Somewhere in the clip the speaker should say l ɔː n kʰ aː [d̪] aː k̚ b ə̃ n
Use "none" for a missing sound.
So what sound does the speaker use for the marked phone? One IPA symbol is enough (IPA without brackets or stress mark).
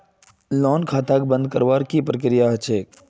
t̪